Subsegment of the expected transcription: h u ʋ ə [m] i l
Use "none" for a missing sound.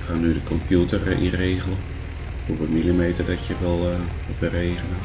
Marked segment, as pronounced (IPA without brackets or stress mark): m